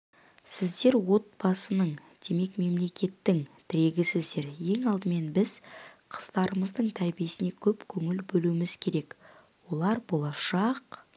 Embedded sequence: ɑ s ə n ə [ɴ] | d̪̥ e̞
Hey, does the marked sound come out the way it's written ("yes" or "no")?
yes